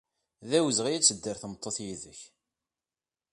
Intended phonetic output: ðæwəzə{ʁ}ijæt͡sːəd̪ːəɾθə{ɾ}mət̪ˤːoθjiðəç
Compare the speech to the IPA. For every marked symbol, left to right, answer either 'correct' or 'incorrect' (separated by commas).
correct, incorrect